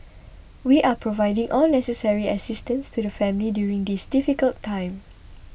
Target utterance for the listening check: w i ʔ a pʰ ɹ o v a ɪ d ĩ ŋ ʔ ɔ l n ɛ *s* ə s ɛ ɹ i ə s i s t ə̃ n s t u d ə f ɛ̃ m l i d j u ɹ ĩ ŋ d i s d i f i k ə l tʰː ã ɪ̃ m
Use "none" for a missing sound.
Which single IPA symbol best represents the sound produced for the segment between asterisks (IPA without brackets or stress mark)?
s